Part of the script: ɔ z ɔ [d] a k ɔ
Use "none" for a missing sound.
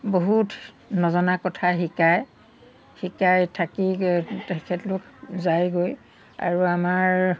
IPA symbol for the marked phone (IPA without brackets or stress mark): n